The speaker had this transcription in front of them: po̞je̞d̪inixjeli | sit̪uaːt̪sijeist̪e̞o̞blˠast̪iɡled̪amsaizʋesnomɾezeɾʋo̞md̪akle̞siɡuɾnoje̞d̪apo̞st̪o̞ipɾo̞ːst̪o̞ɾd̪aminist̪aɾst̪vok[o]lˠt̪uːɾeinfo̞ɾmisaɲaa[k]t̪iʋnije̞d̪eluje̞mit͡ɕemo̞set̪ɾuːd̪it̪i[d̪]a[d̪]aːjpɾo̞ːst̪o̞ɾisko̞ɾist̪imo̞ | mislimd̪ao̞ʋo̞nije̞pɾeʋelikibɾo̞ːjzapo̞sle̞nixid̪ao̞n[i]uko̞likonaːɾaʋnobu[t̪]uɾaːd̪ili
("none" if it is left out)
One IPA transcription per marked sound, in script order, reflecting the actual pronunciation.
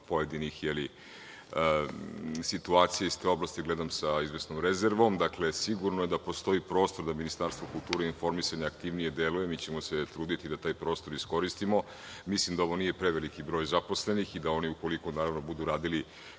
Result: u, k, d̪, t̪, i, d̪

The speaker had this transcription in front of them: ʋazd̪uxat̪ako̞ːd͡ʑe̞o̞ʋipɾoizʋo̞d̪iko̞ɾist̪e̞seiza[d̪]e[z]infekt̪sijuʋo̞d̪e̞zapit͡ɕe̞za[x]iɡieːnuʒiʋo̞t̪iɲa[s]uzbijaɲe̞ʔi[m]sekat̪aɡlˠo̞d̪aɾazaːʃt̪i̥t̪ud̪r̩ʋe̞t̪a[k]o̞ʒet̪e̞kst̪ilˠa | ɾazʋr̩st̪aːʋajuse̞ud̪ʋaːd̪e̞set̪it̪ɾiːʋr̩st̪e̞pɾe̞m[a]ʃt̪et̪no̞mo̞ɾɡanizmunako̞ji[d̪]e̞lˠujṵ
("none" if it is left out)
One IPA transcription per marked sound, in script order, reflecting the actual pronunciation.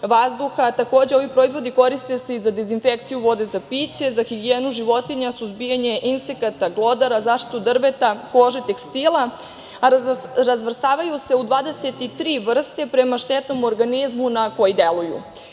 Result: d̪, z, x, s, n, k, a, d̪

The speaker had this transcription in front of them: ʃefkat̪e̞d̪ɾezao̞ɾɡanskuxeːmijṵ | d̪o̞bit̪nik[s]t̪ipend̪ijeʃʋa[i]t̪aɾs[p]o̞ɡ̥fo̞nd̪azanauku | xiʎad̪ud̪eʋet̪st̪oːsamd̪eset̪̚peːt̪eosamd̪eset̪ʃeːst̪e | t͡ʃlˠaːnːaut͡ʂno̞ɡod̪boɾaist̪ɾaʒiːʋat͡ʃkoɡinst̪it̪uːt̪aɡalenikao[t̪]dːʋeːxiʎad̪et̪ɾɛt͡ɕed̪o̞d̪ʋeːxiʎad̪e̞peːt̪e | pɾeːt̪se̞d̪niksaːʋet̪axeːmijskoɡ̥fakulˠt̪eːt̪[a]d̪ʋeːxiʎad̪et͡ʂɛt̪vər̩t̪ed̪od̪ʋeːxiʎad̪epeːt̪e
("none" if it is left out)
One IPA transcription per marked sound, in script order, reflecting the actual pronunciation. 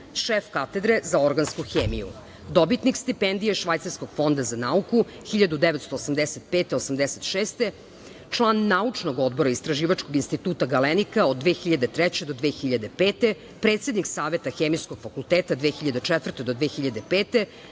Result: s, j, k, d̪, a

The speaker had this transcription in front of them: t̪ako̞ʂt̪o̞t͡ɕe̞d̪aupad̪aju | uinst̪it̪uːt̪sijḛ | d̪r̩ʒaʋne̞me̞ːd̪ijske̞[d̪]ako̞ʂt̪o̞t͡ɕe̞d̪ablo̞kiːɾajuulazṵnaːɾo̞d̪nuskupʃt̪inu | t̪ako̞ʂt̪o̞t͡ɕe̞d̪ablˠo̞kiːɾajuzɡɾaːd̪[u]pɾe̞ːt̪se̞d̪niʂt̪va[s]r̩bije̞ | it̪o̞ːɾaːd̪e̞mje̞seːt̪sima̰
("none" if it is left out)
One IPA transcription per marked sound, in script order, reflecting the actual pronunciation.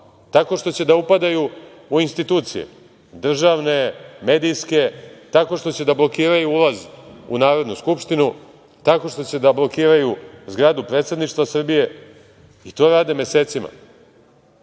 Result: t̪, u, s

